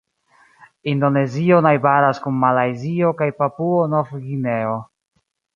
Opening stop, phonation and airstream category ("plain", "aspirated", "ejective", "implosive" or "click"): plain